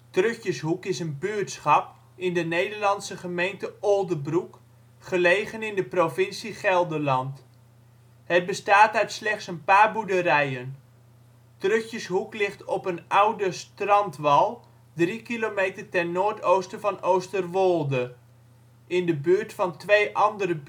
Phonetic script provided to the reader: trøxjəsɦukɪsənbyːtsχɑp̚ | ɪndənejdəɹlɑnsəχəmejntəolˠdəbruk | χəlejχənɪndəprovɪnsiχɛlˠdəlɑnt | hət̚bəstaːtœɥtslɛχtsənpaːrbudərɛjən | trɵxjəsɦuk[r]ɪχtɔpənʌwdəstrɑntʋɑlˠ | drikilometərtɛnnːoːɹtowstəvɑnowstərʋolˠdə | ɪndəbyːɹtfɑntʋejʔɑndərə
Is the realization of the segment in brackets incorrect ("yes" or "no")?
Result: yes